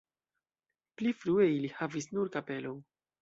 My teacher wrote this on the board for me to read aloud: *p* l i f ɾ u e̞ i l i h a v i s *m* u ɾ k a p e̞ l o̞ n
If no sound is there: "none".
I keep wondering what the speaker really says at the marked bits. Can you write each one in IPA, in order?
p, n

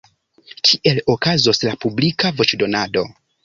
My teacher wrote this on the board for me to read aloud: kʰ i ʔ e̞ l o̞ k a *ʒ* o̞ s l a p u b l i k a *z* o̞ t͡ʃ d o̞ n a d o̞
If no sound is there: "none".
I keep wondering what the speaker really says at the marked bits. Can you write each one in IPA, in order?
z, v

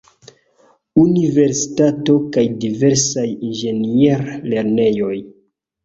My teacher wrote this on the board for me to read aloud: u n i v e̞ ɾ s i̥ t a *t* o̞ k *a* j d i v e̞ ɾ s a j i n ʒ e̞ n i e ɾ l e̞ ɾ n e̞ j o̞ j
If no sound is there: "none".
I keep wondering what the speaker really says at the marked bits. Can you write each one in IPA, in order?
t, a

